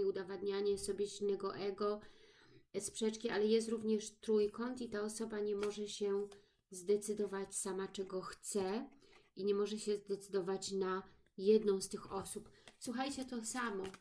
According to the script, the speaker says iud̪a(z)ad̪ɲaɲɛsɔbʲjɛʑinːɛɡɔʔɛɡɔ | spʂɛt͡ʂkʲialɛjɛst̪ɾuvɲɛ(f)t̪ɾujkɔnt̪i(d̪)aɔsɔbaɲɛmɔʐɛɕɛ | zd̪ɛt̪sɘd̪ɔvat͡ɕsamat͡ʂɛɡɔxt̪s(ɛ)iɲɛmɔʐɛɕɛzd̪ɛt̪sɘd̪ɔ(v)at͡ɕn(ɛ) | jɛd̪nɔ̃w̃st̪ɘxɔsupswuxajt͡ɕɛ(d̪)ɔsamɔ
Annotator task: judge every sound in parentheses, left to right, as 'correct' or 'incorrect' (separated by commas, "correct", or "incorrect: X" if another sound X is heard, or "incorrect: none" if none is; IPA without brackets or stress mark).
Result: incorrect: v, incorrect: ʂ, incorrect: t̪, correct, correct, incorrect: a, incorrect: t̪